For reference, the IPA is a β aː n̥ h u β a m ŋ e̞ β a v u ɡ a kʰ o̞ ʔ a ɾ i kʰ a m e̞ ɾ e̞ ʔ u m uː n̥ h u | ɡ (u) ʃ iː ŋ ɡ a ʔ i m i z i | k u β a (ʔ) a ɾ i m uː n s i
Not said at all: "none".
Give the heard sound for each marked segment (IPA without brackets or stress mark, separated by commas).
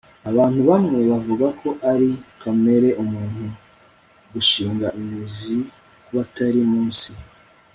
u, t